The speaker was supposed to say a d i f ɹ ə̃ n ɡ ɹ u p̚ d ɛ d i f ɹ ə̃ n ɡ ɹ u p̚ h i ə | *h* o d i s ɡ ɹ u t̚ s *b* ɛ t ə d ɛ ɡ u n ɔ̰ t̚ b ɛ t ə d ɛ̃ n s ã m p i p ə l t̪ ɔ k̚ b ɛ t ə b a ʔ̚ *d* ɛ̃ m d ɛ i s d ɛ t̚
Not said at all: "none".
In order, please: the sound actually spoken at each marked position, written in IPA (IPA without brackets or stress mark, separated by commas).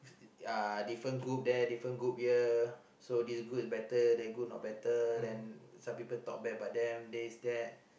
s, b, d